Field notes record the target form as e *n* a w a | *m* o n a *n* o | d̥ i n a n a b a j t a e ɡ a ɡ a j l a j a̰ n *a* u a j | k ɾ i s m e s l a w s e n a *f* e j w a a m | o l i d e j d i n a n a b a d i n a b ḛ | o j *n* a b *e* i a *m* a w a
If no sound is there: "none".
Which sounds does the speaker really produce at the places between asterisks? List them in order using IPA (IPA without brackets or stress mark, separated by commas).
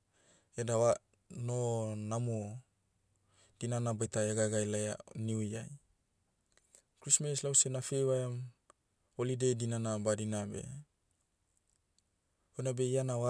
d, n, m, i, f, n, e, n